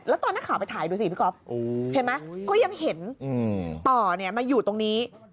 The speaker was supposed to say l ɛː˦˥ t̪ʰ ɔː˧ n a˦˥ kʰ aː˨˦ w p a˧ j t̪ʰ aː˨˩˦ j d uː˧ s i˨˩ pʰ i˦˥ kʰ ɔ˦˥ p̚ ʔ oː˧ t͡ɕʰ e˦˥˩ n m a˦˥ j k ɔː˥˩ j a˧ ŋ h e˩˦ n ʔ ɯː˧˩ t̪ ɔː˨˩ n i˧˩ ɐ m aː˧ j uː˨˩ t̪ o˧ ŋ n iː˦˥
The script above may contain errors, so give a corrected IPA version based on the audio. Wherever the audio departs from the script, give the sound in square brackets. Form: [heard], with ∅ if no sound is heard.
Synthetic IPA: l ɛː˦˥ [t̪] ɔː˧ n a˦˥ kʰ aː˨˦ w p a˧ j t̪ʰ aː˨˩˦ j d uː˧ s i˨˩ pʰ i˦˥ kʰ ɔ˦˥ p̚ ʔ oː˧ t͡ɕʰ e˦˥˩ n m a˦˥ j k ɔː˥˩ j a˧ ŋ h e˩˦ n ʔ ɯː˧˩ t̪ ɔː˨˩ n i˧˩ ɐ m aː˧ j uː˨˩ t̪ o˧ ŋ n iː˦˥